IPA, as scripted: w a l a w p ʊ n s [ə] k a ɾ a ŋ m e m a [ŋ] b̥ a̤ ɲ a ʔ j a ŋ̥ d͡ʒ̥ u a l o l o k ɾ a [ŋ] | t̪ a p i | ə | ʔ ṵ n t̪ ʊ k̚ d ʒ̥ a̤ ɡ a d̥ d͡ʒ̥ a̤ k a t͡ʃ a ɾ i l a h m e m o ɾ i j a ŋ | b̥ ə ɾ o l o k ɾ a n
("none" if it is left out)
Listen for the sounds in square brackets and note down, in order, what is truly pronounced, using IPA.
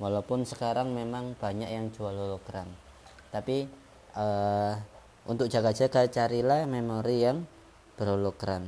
ə, ŋ, n

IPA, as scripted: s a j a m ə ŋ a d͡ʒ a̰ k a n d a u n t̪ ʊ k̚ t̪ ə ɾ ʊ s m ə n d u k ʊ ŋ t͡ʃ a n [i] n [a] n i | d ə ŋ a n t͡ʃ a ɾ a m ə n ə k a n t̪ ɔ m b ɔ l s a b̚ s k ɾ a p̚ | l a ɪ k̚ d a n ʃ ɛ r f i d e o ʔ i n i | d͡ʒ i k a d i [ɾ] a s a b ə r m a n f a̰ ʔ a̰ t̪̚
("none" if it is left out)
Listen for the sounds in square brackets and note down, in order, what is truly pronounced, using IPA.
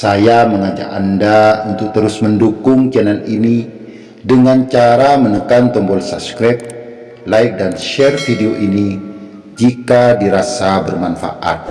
a, i, ɾ

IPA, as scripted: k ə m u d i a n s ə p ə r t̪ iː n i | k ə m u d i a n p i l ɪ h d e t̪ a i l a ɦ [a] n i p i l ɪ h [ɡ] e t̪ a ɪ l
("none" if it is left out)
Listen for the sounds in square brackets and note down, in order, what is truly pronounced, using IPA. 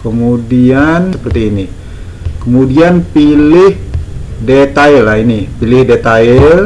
i, d

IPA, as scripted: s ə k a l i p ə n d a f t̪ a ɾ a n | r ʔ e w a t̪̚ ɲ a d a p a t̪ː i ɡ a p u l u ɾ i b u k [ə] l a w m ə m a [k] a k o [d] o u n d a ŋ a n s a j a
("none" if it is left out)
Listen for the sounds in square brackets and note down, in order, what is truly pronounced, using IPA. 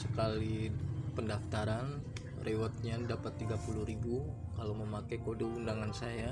a, k, d

